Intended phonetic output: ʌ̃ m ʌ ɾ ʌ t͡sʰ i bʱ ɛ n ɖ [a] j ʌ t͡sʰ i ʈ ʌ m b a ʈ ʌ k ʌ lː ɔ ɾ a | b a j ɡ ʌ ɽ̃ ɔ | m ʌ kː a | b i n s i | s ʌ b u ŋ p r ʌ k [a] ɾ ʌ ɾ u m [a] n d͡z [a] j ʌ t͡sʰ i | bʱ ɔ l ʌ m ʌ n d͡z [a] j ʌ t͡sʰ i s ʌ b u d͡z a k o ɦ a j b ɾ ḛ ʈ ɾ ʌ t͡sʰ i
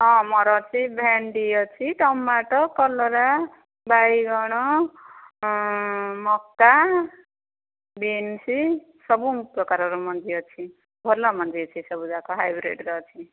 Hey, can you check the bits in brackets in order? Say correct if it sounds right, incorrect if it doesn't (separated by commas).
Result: incorrect, correct, incorrect, incorrect, incorrect